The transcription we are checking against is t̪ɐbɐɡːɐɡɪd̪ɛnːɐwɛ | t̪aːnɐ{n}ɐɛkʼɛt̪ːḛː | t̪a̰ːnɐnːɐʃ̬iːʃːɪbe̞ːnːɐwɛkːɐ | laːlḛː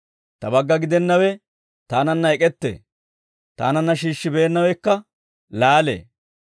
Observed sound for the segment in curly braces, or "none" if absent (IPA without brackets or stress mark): nː